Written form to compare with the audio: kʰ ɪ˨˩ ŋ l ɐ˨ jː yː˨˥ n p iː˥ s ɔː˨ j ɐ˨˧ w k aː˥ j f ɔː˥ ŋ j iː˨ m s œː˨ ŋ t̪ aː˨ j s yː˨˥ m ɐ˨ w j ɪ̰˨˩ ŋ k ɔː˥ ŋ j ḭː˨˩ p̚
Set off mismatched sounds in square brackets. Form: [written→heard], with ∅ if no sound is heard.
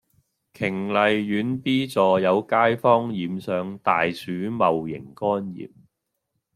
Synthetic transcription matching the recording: kʰ ɪ˨˩ ŋ l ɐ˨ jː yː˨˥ n p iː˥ [s→t͡s] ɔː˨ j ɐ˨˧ w k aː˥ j f ɔː˥ ŋ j iː˨ m s œː˨ ŋ t̪ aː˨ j s yː˨˥ m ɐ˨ w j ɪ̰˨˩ ŋ k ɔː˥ [ŋ→n] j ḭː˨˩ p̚